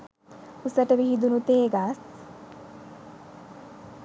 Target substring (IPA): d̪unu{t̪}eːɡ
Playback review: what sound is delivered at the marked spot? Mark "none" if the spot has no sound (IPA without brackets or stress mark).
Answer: t̪